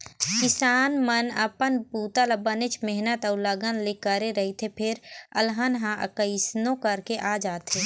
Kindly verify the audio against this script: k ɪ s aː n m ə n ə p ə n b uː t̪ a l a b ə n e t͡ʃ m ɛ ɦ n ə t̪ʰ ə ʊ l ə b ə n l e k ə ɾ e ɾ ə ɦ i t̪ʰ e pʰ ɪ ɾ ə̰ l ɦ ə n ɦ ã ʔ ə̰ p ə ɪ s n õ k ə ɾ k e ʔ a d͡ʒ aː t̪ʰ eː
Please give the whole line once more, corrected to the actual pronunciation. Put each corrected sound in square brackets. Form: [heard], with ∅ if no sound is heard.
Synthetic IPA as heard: k ɪ s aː n m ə n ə p ə n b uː t̪ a l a b ə n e t͡ʃ m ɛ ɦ n ə [t̪] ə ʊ l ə [ɡ] ə n l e k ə ɾ e ɾ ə ɦ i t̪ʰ e pʰ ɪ ɾ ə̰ l ɦ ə n ɦ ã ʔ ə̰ [k] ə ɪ s n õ k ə ɾ k e ʔ a d͡ʒ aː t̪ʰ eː